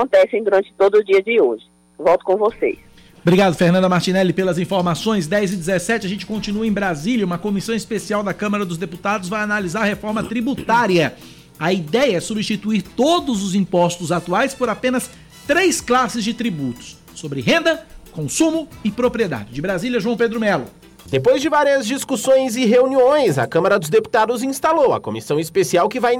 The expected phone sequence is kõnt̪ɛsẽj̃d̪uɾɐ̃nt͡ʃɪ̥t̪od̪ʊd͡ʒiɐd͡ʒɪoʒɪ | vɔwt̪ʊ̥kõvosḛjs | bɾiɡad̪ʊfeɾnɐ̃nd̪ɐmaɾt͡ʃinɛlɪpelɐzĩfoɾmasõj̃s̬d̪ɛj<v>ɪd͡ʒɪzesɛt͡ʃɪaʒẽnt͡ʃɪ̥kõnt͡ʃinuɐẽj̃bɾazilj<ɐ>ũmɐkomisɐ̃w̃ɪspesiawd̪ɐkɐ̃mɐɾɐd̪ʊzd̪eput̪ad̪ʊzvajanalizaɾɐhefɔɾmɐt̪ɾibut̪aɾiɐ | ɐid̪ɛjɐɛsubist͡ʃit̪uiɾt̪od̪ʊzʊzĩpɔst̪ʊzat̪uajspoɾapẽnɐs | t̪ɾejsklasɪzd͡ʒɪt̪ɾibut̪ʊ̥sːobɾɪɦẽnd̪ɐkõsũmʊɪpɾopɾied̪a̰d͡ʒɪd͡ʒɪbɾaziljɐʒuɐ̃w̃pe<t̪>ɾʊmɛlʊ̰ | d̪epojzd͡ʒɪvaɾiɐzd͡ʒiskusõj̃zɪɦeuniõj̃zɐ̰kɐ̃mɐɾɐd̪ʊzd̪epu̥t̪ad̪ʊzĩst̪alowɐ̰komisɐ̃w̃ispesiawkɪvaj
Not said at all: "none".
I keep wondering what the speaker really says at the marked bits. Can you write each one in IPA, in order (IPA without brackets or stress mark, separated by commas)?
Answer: z, ɐ, d̪